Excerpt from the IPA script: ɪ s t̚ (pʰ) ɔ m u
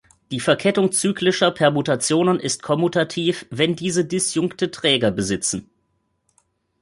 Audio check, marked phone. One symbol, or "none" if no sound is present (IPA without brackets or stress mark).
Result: kʰ